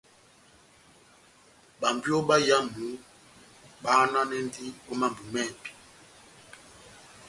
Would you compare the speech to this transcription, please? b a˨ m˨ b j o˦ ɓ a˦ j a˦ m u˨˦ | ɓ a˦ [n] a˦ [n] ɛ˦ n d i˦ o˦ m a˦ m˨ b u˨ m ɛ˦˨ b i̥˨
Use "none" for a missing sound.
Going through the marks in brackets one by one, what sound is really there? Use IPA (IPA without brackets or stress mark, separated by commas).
n, n